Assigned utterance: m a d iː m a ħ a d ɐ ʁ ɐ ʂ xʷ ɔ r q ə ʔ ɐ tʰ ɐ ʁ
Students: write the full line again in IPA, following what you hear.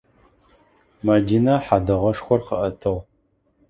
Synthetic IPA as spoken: m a d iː n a ħ a d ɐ ʁ ɐ ʂ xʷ ɔ r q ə ʔ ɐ tʰ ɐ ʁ